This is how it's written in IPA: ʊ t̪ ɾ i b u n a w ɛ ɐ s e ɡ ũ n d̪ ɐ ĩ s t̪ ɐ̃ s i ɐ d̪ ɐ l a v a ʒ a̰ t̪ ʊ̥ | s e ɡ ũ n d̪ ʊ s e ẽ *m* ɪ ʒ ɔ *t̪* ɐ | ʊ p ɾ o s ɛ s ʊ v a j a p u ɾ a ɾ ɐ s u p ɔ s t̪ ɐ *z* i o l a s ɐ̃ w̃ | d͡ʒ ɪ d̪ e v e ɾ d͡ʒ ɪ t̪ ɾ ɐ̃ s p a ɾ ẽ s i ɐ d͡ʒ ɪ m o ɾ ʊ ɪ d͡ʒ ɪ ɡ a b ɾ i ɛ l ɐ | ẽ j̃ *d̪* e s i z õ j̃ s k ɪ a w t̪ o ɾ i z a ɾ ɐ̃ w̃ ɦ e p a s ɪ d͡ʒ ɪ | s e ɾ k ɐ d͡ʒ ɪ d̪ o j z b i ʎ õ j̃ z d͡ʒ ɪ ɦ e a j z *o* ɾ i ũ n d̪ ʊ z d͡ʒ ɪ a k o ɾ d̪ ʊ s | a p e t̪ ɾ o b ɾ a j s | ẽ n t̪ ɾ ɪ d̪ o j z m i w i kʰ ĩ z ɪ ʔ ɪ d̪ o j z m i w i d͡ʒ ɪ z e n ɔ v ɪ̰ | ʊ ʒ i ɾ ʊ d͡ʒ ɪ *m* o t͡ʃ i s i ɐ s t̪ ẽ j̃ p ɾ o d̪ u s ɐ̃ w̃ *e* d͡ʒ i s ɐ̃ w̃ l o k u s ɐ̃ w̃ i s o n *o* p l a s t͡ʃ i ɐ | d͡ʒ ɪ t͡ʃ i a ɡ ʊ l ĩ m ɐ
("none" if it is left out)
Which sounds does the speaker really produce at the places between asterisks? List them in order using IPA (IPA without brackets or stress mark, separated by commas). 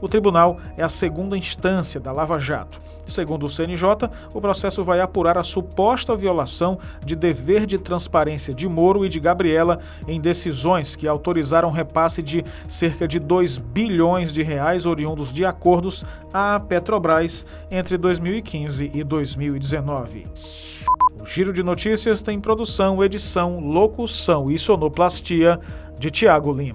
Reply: n, t̪, v, d̪, o, n, e, o